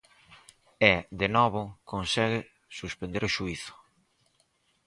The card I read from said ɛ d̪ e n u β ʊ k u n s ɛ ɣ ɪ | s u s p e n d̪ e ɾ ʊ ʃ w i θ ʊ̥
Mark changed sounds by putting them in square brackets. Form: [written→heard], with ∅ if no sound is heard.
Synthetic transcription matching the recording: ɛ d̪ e n [u→ɔ] β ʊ k [u→o] n s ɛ ɣ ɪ | s u s p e n d̪ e ɾ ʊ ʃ [w→u] i θ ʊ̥